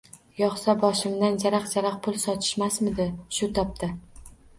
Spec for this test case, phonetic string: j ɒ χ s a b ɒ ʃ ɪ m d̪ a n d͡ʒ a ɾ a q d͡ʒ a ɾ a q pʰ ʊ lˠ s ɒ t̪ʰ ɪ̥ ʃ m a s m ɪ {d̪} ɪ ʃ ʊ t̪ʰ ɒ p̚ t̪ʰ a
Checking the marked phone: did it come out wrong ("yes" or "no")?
no